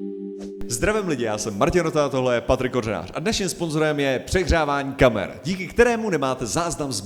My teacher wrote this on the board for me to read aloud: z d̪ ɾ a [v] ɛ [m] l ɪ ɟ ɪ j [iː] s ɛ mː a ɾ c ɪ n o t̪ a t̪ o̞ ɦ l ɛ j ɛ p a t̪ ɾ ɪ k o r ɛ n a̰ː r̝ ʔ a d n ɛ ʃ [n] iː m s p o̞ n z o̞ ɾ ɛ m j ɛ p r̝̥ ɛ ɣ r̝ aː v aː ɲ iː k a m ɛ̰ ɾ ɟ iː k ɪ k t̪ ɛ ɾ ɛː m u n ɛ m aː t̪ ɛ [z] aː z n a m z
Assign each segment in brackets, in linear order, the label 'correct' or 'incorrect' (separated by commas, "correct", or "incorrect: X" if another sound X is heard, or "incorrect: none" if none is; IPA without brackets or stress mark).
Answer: correct, correct, incorrect: aː, incorrect: ɲ, correct